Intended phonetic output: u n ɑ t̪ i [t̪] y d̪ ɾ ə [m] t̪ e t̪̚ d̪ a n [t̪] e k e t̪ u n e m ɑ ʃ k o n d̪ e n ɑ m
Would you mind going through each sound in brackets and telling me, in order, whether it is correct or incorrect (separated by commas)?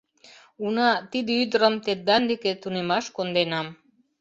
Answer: incorrect, correct, incorrect